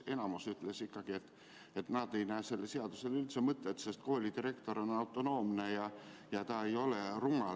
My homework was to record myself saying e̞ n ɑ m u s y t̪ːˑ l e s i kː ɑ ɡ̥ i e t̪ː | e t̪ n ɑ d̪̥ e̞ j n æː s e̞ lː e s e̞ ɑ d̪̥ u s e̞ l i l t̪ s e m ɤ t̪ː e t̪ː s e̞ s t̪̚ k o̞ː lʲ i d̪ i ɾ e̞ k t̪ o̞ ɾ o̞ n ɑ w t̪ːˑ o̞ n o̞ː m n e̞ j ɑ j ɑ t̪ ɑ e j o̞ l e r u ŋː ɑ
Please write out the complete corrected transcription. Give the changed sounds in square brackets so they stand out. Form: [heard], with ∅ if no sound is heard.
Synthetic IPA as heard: e̞ n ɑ m u s y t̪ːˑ l e s i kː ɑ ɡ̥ i e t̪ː | e t̪ n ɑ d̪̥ e̞ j n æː s e̞ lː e s e̞ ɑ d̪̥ u s e̞ l [y] l t̪ s e m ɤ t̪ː e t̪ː s e̞ s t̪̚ k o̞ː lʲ i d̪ i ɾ e̞ k t̪ o̞ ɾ o̞ n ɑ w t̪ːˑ o̞ n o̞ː m n e̞ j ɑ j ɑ t̪ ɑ e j o̞ l e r u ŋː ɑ